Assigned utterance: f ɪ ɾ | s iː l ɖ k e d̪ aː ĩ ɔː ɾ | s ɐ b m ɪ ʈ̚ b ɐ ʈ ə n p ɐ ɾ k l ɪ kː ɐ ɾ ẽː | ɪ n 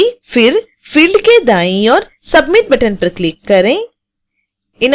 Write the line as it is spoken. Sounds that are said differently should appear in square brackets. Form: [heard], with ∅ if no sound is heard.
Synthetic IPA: f ɪ ɾ | [f] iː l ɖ k e d̪ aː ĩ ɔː ɾ | s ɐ b m ɪ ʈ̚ b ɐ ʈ ə n p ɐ ɾ k l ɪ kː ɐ ɾ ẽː | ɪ n